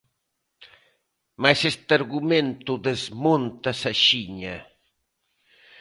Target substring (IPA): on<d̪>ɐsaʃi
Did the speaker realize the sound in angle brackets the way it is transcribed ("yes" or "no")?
no